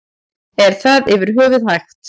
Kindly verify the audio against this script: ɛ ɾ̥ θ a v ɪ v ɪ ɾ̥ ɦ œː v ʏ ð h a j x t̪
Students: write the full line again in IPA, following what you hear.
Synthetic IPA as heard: ɛ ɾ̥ θ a ð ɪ v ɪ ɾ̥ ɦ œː v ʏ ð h a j x t̪

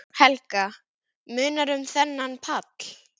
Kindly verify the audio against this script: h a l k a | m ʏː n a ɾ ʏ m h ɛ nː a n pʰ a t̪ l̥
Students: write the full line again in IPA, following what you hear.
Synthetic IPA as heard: h ɛ l k a | m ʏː n a ɾ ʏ m θ ɛ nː a n pʰ a t̪ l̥

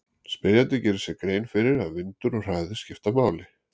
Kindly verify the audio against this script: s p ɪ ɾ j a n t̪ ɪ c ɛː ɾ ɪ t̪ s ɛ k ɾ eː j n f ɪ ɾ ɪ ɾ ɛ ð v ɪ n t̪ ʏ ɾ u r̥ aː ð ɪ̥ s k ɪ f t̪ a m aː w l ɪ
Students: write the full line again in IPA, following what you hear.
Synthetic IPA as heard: s p ɪ ɾ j a n t̪ ɪ c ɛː ɾ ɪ s ɛ k ɾ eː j n f ɪ ɾ ɪ ɾ a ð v ɪ n t̪ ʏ ɾ ɔ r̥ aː ð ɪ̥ s c ɪ f t̪ a m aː w l ɪ

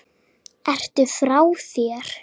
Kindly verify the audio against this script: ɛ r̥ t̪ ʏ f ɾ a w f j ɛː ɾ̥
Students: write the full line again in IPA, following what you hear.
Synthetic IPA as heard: ɛ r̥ t̪ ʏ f ɾ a w θ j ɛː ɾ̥

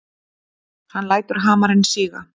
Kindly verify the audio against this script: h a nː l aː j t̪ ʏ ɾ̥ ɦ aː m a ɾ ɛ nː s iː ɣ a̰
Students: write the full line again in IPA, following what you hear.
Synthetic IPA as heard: h a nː l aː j t̪ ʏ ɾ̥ ɦ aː m a ɾ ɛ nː s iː ɣ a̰

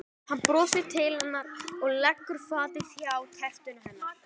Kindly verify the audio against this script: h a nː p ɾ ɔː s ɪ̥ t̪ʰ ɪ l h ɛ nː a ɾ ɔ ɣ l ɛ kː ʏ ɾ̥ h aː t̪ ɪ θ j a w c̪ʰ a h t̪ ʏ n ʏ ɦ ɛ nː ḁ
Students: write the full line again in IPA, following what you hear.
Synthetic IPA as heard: h a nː p ɾ ɔː s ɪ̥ t̪ʰ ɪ l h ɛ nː a ɾ ɔ ɣ l ɛ kː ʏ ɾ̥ f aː t̪ ɪ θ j a w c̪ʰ ɛ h t̪ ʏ n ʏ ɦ ɛ nː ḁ

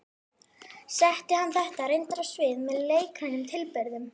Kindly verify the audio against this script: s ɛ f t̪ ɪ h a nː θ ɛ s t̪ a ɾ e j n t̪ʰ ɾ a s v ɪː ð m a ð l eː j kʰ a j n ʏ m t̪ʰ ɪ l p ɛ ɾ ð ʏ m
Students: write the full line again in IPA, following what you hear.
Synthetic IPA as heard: s ɛ h t̪ ɪ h a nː θ ɛ h t̪ a ɾ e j n t̪ ɾ a s v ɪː ð m ɛ ð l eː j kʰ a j n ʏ m t̪ʰ ɪ l p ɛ ɾ ð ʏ m

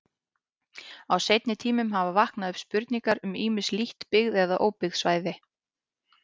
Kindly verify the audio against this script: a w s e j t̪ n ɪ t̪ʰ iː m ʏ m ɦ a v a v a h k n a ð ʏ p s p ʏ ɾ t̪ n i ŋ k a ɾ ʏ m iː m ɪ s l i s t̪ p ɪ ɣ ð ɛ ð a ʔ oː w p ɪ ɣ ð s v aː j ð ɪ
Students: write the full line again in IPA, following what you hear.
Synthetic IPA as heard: a w s e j t̪ n ɪ t̪ʰ iː m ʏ m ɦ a v a v a h k n a ð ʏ p s p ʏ ɾ t̪ n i ŋ k a ɾ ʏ m iː m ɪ s l i h t̪ p ɪ ɣ ð ɛ ð a ʔ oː w p ɪ ɣ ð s v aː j ð ɪ

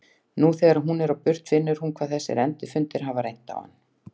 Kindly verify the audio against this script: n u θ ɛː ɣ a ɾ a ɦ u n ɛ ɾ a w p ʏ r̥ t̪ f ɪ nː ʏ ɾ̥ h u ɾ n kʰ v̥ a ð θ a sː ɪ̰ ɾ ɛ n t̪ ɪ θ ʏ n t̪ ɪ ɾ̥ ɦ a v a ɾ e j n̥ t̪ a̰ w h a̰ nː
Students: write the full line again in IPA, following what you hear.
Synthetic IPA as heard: n u θ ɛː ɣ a ɾ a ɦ u n ɛ ɾ a w p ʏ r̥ t̪ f ɪ nː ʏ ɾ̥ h u n kʰ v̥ a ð θ ɛ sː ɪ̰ ɾ ɛ n t̪ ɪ f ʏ n t̪ ɪ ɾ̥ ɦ a v a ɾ e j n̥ t̪ a̰ w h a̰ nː

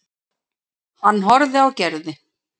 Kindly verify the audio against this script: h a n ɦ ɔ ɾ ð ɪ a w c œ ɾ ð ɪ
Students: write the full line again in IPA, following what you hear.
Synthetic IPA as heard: h a nː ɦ ɔ ɾ ð ɪ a w c ɛ ɾ ð ɪ

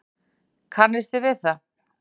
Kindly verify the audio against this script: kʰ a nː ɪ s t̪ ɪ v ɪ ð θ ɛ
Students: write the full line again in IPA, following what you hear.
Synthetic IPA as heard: kʰ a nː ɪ s t̪ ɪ v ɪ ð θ a

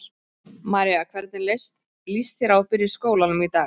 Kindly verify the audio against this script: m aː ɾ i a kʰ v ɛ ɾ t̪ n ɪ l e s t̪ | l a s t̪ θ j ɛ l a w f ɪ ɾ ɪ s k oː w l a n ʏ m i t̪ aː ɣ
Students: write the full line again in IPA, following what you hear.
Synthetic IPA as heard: m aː ɾ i a kʰ v ɛ ɾ t̪ n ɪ l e s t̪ | l i s t̪ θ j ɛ ɾ a w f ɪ ɾ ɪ s k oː w l a n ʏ m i t̪ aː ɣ

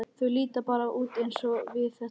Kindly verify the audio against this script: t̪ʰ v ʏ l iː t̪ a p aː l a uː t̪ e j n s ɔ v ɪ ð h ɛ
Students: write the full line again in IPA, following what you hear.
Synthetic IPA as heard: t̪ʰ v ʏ l iː t̪ a p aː ɾ a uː t̪ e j n s ɔ v ɪ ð θ ɛ

